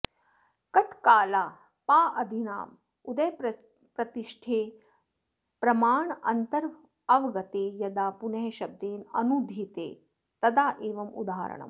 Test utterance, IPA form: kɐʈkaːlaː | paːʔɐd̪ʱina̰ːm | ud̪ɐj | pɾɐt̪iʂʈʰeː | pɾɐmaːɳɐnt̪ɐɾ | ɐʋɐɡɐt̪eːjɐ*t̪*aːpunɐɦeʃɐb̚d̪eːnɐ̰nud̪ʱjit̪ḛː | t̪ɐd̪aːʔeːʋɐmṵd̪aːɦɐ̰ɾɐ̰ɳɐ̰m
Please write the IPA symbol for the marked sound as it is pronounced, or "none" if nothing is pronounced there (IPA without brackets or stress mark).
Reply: d̪